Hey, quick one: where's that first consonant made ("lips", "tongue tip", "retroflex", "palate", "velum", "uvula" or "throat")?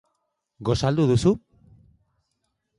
velum